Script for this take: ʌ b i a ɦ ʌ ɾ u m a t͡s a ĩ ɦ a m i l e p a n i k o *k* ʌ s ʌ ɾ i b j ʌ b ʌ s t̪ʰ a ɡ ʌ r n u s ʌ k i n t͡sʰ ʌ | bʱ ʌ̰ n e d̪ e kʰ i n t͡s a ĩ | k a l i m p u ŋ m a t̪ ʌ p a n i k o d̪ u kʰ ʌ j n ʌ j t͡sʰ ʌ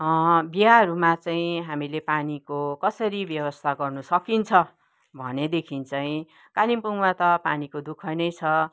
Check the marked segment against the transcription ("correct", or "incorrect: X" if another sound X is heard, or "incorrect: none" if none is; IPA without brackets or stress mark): correct